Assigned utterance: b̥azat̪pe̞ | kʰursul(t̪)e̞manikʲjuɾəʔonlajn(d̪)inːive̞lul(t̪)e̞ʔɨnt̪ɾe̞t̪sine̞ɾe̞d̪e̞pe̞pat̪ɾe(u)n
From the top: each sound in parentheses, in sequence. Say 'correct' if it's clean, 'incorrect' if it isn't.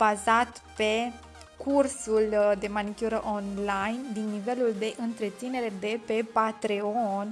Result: incorrect: d̪, correct, incorrect: d̪, incorrect: o

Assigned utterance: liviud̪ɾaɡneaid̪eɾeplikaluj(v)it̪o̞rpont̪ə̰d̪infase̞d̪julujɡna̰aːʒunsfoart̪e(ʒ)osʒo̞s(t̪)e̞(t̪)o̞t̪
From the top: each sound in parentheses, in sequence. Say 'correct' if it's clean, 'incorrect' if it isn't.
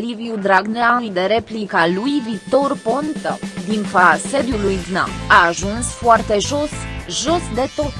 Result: correct, correct, incorrect: d̪, correct

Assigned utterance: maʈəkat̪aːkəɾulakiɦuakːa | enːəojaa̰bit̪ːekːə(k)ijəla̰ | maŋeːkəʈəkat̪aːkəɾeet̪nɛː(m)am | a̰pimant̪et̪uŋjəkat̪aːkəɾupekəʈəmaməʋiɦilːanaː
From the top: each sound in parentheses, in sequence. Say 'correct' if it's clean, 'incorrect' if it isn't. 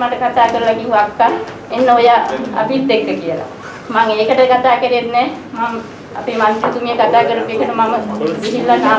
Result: correct, correct

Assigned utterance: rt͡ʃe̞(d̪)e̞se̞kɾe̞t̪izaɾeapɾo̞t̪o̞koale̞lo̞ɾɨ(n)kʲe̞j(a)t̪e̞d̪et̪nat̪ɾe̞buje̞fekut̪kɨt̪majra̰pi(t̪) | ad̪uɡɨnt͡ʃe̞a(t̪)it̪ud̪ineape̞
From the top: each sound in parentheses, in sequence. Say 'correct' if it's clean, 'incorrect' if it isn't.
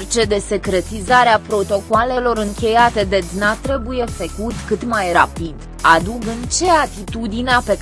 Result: correct, incorrect: ŋ, correct, incorrect: d̪, correct

